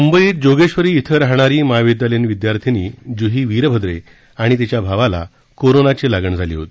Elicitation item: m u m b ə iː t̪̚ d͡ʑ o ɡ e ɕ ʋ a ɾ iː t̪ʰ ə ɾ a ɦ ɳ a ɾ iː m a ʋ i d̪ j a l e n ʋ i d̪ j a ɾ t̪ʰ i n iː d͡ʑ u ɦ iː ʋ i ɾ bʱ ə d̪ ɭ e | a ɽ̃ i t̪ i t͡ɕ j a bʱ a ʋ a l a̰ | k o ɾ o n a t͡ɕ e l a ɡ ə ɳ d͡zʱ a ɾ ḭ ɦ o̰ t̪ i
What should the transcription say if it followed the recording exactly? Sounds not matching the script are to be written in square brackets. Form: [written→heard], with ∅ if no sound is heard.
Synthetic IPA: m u m b ə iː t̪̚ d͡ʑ o ɡ e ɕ ʋ [a→ə] ɾ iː t̪ʰ ə ɾ a ɦ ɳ a ɾ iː m a ʋ i d̪ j a l e n ʋ i d̪ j a ɾ t̪ʰ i n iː d͡ʑ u ɦ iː ʋ i ɾ bʱ ə d̪ [ɭ→ɾ] e | a ɽ̃ i t̪ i t͡ɕ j a bʱ a ʋ a l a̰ | k o ɾ o n a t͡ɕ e l a ɡ ə ɳ d͡zʱ a [ɾ→l] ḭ ɦ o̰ t̪ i

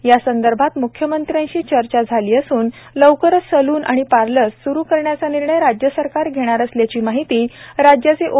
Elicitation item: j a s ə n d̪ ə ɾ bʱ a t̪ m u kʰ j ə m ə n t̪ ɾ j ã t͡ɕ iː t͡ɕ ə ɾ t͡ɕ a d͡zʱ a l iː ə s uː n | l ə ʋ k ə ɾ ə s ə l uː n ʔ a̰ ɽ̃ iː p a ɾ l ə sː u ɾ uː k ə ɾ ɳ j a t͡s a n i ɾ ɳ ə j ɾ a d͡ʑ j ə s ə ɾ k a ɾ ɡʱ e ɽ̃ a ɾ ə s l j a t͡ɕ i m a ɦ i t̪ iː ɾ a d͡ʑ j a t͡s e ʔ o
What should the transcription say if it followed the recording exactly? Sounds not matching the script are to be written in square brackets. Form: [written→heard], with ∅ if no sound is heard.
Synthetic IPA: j a s ə n d̪ ə ɾ bʱ a t̪ m u kʰ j ə m ə n t̪ ɾ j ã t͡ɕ iː t͡ɕ ə ɾ t͡ɕ a d͡zʱ a l iː ə s uː n | l ə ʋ k ə ɾ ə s ə l uː n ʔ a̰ ɽ̃ [iː→i] p a ɾ l ə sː u ɾ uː k ə ɾ ɳ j a t͡s a n i ɾ ɳ ə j ɾ a d͡ʑ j ə s ə ɾ k a ɾ ɡʱ e ɽ̃ a ɾ ə s l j a t͡ɕ [i→iː] m a ɦ i t̪ iː ɾ a d͡ʑ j a t͡s e ʔ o

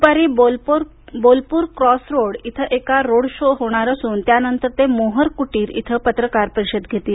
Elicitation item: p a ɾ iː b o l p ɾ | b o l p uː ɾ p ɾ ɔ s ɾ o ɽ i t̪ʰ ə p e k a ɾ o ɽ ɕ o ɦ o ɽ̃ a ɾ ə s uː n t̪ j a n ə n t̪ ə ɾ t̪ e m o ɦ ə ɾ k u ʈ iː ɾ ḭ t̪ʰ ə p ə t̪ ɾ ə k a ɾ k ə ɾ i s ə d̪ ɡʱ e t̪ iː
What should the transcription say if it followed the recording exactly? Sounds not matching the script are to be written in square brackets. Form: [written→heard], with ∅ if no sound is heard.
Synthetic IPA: p a ɾ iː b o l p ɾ | b o l p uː ɾ [p→k] ɾ ɔ s ɾ o ɽ i t̪ʰ ə [p→ʔ] e k a ɾ o ɽ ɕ o ɦ o ɽ̃ a ɾ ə s uː n t̪ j a n ə n t̪ ə ɾ t̪ e m o ɦ ə ɾ k u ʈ iː ɾ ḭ t̪ʰ ə p ə t̪ ɾ ə k a ɾ [k→p] ə ɾ i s ə d̪ ɡʱ e t̪ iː

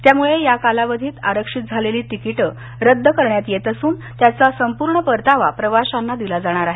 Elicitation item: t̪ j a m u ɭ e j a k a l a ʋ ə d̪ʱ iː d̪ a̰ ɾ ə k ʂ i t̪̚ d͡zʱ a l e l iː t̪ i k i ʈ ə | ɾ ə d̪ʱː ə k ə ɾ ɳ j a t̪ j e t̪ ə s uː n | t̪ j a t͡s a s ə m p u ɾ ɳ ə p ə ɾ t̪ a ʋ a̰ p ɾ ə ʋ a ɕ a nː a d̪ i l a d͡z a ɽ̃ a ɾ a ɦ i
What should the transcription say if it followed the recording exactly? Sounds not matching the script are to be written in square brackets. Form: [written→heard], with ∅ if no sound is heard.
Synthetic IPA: t̪ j a m u ɭ e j a k a l a ʋ ə d̪ʱ iː [d̪→t̪] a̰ ɾ ə k ʂ i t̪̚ d͡zʱ a l e l iː t̪ i k i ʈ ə | ɾ ə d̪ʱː ə k ə ɾ ɳ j a t̪ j e t̪ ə s uː n | t̪ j a t͡s a s ə m p u ɾ ɳ ə p ə ɾ t̪ a ʋ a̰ p ɾ ə ʋ a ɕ a nː a d̪ i l a d͡z a ɽ̃ a ɾ a ɦ [i→e]

